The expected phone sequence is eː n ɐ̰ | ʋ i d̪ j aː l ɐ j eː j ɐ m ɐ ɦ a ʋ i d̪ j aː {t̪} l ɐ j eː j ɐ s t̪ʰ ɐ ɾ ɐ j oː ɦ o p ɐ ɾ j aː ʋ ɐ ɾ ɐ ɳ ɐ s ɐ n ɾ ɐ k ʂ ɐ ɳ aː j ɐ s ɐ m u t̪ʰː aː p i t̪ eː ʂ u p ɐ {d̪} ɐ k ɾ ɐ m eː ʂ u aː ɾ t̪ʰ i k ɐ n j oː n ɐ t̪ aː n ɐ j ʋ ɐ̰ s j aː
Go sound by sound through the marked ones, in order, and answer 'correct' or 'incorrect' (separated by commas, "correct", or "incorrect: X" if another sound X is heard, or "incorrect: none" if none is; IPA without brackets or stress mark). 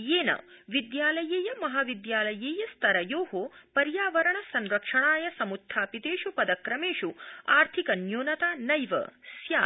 incorrect: none, correct